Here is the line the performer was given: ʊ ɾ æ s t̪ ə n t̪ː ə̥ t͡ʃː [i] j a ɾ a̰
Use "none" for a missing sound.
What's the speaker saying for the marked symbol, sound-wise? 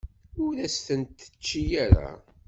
i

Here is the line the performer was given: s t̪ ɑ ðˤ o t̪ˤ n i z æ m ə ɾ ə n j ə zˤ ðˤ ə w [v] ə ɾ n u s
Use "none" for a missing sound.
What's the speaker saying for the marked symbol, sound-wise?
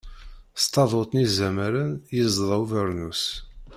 v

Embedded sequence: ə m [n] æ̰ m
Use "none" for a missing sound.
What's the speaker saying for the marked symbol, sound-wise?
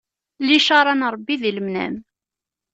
n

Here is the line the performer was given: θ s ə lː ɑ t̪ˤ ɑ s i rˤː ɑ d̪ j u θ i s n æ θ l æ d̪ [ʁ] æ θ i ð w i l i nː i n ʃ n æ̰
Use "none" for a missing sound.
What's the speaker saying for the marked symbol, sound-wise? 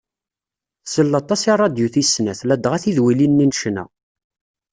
ʁ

